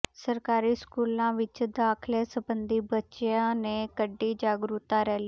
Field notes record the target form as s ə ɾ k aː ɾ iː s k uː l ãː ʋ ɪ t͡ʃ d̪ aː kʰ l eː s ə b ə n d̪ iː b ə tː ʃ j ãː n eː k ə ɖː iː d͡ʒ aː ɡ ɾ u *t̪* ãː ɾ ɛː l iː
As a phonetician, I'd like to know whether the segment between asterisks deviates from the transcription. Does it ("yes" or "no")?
no